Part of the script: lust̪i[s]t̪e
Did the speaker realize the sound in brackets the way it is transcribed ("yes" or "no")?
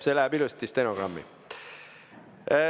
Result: yes